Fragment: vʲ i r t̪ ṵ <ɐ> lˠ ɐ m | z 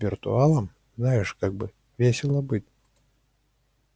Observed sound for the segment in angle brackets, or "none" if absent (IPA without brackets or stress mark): a